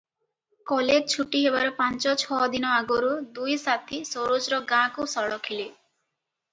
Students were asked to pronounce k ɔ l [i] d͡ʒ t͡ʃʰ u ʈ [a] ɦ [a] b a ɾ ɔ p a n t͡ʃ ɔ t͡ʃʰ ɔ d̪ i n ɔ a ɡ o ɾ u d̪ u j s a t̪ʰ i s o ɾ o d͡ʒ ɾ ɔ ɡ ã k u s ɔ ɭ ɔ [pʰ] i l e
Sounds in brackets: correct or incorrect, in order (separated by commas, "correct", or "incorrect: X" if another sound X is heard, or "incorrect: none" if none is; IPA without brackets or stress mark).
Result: incorrect: e, incorrect: i, incorrect: e, incorrect: kʰ